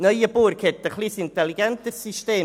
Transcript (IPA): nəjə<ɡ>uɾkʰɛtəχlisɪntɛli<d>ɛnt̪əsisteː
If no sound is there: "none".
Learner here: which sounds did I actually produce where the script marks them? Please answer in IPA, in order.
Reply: b, ɡ

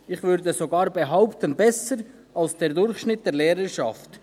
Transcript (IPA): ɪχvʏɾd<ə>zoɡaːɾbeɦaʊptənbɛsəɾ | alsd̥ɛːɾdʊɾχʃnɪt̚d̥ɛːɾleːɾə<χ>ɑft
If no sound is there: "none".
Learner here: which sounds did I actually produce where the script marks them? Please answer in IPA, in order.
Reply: ə, ʃ

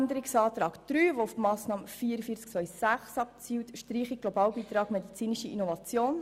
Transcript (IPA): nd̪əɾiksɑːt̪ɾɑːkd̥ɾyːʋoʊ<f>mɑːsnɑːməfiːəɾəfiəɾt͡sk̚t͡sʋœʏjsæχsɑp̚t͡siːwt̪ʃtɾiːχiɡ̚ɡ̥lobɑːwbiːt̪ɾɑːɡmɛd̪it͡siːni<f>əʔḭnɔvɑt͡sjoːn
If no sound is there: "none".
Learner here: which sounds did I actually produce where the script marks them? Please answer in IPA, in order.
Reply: f, ʃ

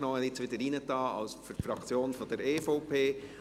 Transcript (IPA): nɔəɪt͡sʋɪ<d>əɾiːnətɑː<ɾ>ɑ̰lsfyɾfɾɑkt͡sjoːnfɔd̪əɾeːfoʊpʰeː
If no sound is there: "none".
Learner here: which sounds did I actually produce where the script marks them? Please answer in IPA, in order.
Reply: d, none

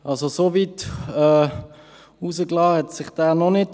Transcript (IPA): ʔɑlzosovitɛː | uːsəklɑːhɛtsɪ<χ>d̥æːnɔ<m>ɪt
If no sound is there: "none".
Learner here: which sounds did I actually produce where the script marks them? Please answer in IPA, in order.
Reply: χ, n

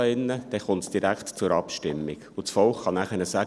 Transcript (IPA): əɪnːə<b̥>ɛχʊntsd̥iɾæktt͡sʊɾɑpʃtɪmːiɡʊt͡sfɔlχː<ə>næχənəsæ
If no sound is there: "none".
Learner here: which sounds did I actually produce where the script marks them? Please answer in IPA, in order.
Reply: d̥, ɑ

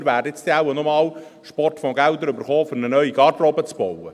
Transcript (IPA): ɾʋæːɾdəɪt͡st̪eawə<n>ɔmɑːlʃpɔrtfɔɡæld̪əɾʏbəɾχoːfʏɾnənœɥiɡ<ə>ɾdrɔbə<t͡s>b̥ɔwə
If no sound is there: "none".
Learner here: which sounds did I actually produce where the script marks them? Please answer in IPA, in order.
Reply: n, ɑ, t͡s

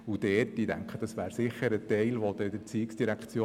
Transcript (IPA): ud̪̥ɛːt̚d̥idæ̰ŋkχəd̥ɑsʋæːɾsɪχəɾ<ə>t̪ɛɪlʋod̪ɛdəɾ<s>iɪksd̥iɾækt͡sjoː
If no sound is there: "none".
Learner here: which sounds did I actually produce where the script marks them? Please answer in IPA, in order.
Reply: ə, t͡s

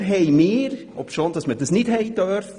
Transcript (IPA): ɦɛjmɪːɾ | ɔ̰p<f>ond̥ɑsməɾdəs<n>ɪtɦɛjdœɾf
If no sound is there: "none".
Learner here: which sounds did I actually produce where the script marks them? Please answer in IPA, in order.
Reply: ʃ, n

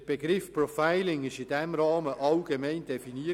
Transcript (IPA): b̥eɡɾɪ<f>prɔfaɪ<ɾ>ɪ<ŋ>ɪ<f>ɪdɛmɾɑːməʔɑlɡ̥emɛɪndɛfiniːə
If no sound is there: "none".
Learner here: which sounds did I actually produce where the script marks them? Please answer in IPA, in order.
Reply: f, l, ŋ, ʃ

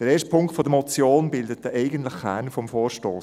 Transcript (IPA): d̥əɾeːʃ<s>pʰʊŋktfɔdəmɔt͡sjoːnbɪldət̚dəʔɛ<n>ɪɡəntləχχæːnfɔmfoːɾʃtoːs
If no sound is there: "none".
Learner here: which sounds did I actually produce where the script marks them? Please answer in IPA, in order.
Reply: t, none

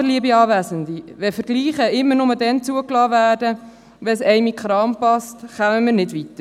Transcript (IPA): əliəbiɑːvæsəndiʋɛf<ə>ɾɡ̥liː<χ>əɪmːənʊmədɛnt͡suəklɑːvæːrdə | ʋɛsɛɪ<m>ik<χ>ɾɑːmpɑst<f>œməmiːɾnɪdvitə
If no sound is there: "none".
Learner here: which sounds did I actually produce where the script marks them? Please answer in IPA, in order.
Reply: ə, χ, m, χ, χ

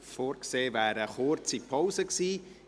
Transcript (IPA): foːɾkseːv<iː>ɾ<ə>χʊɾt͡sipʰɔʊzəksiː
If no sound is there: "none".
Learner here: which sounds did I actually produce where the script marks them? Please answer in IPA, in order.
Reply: æː, ə

